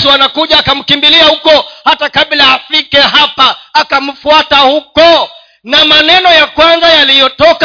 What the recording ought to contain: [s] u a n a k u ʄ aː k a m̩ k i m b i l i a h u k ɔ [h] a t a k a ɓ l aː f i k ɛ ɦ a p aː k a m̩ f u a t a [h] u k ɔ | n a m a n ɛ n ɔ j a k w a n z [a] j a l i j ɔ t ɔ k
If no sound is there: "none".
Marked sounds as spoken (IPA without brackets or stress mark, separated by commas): s, h, h, a